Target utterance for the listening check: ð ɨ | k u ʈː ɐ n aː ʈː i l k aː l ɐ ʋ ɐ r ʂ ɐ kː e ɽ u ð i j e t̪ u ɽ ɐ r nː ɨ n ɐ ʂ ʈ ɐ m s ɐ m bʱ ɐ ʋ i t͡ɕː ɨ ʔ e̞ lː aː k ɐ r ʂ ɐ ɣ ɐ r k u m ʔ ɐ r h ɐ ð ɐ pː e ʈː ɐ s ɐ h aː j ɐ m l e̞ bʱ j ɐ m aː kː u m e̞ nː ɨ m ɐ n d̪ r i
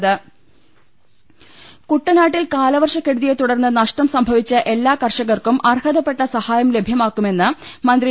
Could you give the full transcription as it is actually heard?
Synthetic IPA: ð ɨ | k u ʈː ɐ n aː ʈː i l k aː l ɐ ʋ ɐ r ʂ ɐ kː e ɽ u ð i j e t̪ u ɽ ɐ r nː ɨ n ɐ ʂ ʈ ɐ m s ɐ m bʱ ɐ ʋ i t͡ɕː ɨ ʔ e̞ lː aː k ɐ r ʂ ɐ ɣ ɐ r k u m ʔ ɐ r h ɐ ð ɐ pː e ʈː ɐ s ɐ h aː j ɐ m l e̞ bʱ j ɐ m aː kː u m e̞ nː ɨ m ɐ n d̪ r i